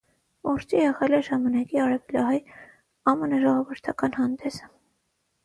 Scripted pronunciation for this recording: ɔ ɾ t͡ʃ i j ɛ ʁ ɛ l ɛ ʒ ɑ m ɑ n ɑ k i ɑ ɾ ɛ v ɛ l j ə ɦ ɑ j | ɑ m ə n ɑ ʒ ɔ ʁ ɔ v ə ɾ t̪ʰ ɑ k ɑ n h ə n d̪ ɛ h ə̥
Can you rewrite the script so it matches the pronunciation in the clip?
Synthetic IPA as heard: ɔ ɾ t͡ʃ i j ɛ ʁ ɛ l ɛ ʒ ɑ m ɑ n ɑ k i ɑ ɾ ɛ v ɛ l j ɑ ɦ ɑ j | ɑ m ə n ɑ ʒ ɔ ʁ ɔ v ə ɾ t̪ʰ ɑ k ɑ n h ɑ n d̪ ɛ s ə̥

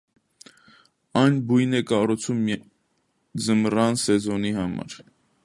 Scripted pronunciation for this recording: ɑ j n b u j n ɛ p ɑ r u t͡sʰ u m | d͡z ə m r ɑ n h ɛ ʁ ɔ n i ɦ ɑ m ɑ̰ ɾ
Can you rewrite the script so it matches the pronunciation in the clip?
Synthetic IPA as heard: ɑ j n b u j n ɛ k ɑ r u t͡sʰ u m | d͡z ə m r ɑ n s ɛ z ɔ n i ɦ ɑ m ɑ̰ ɾ

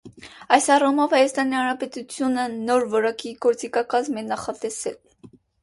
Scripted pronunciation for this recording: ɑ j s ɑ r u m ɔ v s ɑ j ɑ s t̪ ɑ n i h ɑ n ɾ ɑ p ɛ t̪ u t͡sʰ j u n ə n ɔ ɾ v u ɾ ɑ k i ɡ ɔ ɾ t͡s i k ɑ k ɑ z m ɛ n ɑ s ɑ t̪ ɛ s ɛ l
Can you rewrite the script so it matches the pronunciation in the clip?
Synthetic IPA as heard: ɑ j s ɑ r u m ɔ v h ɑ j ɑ s t̪ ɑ n i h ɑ n ɾ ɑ p ɛ t̪ u t͡sʰ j u n ə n ɔ ɾ v ɔ ɾ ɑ k i ɡ ɔ ɾ t͡s i k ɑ k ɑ z m ɛ n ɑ χ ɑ t̪ ɛ s ɛ l

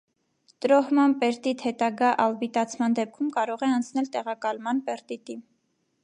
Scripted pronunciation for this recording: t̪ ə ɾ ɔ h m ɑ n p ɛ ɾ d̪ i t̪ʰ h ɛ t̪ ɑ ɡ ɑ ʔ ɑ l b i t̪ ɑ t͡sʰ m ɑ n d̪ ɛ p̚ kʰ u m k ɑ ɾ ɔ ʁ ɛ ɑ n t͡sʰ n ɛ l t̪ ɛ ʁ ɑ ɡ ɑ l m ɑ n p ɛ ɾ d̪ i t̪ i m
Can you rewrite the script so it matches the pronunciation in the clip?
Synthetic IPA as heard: t̪ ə ɾ ɔ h m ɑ n p ɛ ɾ t̪ i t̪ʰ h ɛ t̪ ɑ ɡ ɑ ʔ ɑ l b i t̪ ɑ t͡sʰ m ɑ n d̪ ɛ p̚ kʰ u m k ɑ ɾ ɔ ʁ ɛ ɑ n t͡sʰ n ɛ l t̪ ɛ ʁ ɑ k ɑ l m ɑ n p ɛ ɾ t̪ i t̪ i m

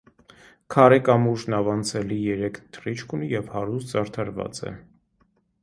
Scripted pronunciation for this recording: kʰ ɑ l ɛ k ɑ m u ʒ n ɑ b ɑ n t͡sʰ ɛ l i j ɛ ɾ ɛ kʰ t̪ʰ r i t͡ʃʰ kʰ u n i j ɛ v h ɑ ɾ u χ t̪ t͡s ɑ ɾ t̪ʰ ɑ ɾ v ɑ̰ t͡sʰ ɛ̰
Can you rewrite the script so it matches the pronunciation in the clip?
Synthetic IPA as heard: kʰ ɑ ɾ ɛ k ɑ m u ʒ n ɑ v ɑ n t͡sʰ ɛ l i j ɛ ɾ ɛ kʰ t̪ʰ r i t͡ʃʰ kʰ u n i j ɛ v h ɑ ɾ u s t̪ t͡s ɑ ɾ t̪ʰ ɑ ɾ v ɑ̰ t͡s ɛ̰

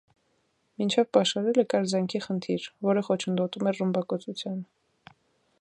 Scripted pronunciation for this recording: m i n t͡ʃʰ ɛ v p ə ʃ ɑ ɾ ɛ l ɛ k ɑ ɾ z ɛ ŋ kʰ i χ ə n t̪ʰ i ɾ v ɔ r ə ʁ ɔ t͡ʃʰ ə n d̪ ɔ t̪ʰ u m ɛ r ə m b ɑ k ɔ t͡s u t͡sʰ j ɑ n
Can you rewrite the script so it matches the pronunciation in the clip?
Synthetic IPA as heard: m i n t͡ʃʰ ɛ v p ɑ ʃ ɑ ɾ ɛ l ɛ k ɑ ɾ z ɛ ŋ kʰ i χ ə n t̪ʰ i ɾ v ɔ ɾ ə χ ɔ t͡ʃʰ ə n d̪ ɔ t̪ u m ɛ r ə m b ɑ k ɔ t͡s u t͡sʰ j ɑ n

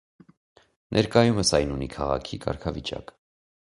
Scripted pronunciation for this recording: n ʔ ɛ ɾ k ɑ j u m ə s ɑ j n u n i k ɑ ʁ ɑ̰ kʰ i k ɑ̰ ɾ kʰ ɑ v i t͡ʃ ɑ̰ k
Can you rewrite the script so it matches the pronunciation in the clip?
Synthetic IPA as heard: n ʔ ɛ ɾ k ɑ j u m ə s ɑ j n u n i kʰ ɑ ʁ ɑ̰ kʰ i k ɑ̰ ɾ kʰ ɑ v i t͡ʃ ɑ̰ k

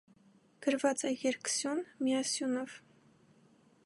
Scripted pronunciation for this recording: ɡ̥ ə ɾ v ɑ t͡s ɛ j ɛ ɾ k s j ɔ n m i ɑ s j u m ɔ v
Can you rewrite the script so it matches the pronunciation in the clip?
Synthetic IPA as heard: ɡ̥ ə ɾ v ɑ t͡s ɛ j ɛ ɾ k s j u n m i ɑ s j u n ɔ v

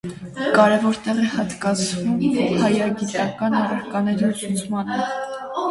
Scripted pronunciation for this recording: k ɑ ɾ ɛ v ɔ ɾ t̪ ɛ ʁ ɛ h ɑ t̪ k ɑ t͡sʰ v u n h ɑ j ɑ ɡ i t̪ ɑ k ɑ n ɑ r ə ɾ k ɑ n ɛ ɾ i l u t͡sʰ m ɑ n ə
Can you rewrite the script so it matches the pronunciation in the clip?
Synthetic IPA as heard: k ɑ ɾ ɛ v ɔ ɾ t̪ ɛ ʁ ɛ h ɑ t̪ k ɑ t͡sʰ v u m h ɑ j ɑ ɡ i t̪ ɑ k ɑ n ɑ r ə ɾ k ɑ n ɛ ɾ i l u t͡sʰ m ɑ n ə

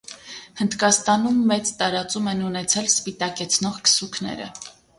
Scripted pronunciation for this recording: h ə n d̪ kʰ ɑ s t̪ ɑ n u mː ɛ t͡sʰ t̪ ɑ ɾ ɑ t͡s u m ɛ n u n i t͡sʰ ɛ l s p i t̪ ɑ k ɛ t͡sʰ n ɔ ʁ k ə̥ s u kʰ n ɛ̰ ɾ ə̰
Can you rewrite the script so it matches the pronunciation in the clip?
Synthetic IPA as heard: h ə n d̪ k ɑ s t̪ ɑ n u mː ɛ t͡s t̪ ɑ ɾ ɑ t͡s u m ɛ n u n ɛ t͡sʰ ɛ l s p i t̪ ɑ k ɛ t͡sʰ n ɔ ʁ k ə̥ s u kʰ n ɛ̰ ɾ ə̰

